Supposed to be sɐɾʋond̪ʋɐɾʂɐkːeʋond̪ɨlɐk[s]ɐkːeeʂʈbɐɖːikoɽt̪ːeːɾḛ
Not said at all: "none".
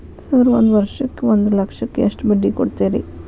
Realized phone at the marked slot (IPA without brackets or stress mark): ʂ